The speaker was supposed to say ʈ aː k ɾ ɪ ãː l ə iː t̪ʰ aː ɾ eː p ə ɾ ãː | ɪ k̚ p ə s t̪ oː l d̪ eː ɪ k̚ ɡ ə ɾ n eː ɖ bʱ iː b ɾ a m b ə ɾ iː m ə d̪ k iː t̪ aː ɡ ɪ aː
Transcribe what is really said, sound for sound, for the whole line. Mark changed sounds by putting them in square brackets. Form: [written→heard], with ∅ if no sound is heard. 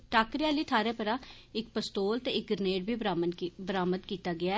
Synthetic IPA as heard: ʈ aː k ɾ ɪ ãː l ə iː t̪ʰ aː ɾ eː p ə ɾ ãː | ɪ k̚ p ə s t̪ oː l [d̪→t̪] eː ɪ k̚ ɡ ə ɾ n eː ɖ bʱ iː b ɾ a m b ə ɾ [iː→aː] m ə d̪ k iː t̪ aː ɡ ɪ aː